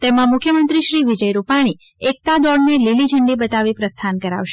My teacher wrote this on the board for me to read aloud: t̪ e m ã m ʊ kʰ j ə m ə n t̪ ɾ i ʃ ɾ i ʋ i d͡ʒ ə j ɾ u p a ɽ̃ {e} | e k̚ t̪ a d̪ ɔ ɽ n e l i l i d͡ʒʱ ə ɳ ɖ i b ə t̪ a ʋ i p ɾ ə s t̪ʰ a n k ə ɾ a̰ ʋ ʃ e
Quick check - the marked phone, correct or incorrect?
incorrect